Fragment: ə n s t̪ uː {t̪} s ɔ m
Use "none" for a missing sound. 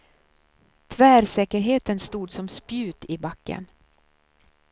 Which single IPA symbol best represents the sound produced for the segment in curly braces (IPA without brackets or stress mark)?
d̪